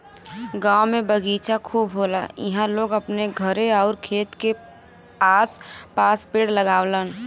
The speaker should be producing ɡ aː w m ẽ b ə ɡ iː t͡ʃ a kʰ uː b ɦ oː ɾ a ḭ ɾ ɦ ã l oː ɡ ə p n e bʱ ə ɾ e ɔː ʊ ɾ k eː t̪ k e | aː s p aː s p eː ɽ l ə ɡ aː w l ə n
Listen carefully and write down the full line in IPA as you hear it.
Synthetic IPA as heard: ɡ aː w m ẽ b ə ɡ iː t͡ʃ a kʰ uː b ɦ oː l a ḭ ɦ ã l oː ɡ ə p n e ɡʱ ə ɾ e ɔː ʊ ɾ kʰ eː t̪ k e | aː s p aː s p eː ɽ l ə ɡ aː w l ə n